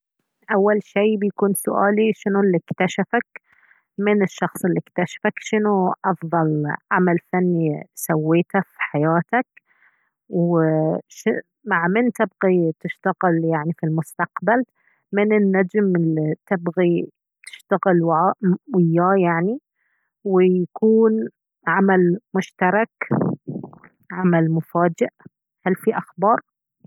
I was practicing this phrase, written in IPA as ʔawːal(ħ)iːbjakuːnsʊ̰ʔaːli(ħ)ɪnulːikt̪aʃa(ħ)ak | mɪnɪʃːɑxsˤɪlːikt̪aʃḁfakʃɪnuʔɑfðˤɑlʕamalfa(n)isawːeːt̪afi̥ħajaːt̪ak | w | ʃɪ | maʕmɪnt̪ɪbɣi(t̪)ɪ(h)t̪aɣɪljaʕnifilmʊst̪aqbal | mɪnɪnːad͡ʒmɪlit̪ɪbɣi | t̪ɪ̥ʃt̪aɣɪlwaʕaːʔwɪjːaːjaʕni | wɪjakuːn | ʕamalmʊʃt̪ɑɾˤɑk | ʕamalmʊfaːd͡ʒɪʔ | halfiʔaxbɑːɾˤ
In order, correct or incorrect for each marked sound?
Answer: incorrect, incorrect, incorrect, incorrect, correct, incorrect

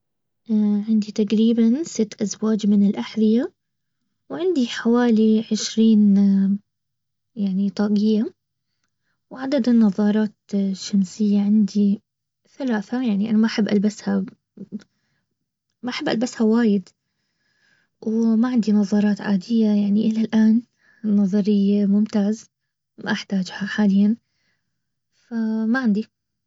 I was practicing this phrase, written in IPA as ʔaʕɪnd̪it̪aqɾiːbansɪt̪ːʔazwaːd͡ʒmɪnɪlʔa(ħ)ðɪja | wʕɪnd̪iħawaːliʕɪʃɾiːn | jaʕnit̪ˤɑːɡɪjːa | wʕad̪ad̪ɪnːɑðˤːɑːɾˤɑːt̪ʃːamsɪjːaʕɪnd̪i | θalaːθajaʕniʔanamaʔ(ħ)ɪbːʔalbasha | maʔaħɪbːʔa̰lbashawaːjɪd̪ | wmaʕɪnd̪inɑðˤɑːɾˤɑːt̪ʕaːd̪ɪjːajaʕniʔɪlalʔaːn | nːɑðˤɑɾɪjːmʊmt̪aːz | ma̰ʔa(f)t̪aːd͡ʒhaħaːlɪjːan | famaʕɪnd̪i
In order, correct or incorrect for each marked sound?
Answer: correct, correct, incorrect

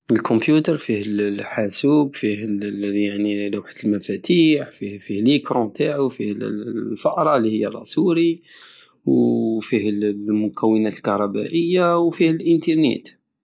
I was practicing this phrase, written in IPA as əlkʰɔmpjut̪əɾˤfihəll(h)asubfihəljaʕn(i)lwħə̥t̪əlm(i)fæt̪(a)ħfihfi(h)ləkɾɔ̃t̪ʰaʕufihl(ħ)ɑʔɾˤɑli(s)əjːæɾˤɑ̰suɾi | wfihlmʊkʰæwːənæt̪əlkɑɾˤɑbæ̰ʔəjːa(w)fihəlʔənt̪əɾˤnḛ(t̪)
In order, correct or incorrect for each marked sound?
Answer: incorrect, correct, incorrect, incorrect, correct, incorrect, incorrect, correct, correct

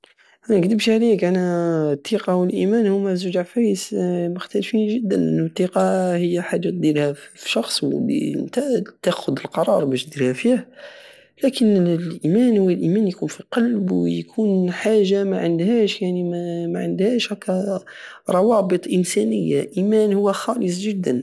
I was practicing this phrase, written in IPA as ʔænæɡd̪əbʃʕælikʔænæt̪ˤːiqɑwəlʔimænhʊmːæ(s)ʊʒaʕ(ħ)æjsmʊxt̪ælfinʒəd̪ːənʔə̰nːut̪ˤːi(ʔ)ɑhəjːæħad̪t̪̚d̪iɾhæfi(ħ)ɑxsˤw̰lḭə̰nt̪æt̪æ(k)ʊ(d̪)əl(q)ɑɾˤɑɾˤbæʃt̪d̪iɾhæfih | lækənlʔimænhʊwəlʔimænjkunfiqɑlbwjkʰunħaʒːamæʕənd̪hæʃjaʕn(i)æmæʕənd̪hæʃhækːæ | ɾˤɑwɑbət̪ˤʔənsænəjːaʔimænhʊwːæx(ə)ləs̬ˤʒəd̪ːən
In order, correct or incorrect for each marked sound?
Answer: incorrect, incorrect, incorrect, incorrect, incorrect, correct, correct, correct, incorrect

